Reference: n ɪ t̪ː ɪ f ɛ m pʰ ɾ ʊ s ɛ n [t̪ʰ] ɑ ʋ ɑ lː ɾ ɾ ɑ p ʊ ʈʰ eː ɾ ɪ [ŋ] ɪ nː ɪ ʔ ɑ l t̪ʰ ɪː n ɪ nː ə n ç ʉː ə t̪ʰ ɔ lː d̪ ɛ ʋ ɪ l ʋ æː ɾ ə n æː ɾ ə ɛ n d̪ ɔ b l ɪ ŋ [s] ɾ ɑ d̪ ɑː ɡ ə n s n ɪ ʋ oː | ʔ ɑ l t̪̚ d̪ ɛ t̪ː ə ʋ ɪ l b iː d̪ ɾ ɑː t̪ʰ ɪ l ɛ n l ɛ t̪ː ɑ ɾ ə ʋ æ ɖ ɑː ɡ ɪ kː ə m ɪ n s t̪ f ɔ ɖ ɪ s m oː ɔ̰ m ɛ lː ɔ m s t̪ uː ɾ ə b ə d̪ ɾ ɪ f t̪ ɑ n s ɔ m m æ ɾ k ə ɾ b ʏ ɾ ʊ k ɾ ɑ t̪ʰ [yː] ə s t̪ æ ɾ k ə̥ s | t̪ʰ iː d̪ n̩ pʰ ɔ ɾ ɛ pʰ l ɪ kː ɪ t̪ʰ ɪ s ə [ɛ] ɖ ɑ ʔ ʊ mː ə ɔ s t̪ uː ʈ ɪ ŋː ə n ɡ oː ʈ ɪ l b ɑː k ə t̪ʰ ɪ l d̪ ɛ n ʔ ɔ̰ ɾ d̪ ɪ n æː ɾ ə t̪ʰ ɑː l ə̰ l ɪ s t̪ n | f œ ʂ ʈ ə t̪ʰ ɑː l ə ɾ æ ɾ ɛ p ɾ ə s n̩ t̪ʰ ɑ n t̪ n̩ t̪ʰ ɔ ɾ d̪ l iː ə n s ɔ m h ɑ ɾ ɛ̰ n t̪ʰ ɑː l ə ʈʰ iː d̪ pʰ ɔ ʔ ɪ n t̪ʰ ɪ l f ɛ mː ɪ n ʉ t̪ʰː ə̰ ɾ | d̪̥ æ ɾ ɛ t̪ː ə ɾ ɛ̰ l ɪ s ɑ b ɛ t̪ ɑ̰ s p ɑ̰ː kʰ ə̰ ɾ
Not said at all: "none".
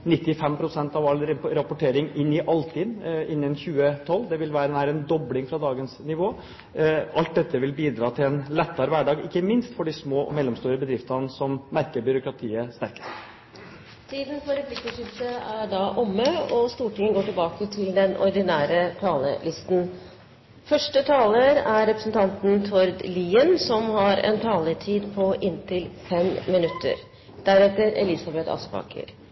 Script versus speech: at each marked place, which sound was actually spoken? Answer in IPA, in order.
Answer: t̪, ŋ, f, iː, æ

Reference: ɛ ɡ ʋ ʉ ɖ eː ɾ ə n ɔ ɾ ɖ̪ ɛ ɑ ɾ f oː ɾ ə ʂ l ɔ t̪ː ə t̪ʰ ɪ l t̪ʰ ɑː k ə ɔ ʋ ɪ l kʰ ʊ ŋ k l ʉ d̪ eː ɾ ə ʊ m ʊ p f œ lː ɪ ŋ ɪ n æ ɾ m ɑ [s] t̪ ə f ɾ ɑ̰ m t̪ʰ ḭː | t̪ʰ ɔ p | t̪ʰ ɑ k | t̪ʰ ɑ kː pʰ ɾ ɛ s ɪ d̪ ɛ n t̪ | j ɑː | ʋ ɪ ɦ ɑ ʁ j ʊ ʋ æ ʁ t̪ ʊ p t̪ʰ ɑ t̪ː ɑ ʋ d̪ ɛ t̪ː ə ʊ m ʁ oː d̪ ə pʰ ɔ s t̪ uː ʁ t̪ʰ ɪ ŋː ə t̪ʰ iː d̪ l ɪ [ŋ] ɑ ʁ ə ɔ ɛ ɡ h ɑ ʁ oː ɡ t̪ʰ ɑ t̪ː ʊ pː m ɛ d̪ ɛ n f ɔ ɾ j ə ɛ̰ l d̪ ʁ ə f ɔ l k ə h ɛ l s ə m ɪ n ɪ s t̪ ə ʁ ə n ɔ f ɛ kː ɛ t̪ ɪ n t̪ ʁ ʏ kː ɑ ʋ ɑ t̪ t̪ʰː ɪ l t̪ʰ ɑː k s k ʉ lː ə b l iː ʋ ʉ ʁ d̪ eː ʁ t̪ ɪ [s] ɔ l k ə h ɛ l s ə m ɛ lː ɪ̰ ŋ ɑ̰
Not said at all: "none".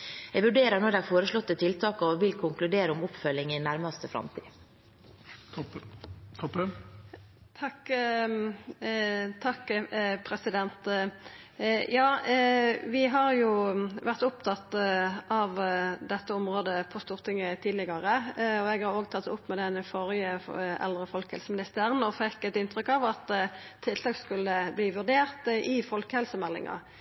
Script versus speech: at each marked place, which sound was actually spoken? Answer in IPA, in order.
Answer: s, ɡ, f

